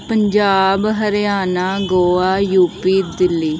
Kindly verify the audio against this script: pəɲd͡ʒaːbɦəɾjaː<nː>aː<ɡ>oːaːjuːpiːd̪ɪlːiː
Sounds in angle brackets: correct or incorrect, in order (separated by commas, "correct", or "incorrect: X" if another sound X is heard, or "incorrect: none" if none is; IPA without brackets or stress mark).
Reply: incorrect: n, correct